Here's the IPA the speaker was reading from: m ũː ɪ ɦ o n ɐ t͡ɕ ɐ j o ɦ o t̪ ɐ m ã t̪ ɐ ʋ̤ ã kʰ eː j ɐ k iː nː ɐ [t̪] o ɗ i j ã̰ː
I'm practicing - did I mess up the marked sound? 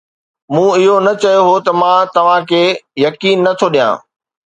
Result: yes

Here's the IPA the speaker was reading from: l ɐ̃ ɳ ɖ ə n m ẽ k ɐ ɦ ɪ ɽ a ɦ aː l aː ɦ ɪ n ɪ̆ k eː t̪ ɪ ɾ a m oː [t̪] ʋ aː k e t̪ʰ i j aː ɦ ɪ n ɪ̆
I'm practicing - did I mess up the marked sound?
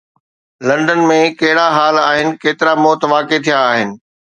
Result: no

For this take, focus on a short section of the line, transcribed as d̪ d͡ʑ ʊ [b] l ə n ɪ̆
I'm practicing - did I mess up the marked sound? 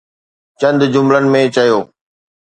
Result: yes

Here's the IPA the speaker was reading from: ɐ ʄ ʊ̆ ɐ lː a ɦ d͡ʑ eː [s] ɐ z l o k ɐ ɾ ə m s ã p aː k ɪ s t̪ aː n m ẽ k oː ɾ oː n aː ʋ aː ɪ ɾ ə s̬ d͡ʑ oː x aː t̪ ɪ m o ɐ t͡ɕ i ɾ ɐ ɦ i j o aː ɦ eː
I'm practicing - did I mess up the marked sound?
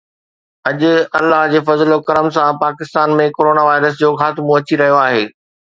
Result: yes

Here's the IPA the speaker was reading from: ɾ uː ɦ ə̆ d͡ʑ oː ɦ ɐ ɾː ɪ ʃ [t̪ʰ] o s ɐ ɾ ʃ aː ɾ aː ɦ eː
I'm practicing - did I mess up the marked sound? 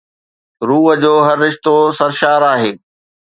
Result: yes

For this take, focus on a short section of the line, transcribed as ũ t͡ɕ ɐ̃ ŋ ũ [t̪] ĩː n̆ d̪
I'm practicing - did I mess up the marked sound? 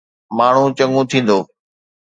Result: yes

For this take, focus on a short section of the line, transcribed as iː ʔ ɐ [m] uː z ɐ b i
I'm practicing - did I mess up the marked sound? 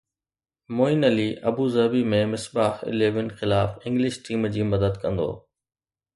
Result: yes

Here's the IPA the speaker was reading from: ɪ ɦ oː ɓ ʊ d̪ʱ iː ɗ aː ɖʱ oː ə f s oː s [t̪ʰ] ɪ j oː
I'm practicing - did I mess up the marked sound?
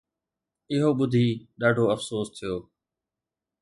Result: no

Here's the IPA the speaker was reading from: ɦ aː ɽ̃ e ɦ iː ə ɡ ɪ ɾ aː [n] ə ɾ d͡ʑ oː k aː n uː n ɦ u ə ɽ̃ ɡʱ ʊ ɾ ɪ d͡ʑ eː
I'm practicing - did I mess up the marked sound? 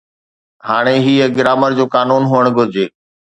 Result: yes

